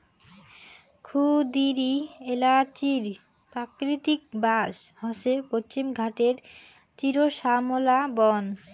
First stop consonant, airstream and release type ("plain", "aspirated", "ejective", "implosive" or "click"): aspirated